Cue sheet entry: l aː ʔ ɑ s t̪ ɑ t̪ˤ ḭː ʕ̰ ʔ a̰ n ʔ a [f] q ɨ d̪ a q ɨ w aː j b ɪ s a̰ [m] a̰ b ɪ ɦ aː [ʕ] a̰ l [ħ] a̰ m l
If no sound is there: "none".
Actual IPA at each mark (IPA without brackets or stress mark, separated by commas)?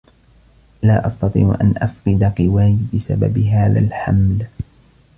f, b, ð, ħ